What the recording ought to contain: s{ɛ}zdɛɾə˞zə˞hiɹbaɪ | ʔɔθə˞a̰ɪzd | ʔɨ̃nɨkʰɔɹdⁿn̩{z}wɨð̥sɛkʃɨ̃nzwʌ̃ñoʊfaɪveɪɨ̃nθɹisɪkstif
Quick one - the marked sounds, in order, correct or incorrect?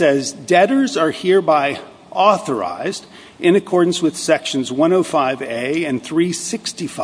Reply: correct, incorrect: s

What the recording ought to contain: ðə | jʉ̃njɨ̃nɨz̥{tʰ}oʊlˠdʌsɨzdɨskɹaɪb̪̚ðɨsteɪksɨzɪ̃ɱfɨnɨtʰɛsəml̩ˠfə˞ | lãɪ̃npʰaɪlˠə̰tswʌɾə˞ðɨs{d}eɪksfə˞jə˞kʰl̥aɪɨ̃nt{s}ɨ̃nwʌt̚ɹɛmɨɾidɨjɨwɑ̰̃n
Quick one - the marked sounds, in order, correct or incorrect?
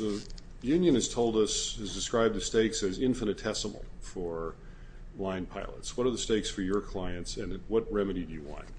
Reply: correct, incorrect: t, correct

